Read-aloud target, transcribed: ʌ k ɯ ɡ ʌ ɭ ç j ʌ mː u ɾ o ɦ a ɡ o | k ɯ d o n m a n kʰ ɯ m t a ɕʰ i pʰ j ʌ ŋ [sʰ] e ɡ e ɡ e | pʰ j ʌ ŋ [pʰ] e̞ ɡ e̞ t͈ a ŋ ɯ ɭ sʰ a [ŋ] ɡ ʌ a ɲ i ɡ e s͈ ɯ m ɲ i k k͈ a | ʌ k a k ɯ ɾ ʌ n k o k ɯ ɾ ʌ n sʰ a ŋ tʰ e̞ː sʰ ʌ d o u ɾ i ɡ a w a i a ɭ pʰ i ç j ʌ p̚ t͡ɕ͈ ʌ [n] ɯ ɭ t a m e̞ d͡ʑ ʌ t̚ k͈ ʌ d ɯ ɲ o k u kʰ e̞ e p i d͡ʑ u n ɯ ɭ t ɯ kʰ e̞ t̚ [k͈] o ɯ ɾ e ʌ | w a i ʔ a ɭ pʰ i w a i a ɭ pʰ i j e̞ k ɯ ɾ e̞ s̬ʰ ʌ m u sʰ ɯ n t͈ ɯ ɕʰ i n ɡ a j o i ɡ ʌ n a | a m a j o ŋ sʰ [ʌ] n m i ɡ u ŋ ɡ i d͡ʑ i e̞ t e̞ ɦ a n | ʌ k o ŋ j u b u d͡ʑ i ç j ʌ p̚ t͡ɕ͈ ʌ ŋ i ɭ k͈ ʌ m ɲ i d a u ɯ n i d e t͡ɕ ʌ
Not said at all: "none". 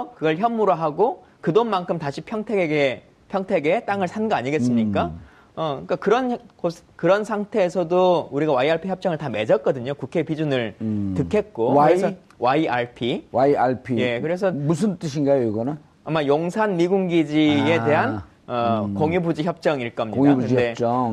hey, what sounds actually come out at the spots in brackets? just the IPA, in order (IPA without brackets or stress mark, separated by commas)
tʰ, tʰ, n, ŋ, k͈, a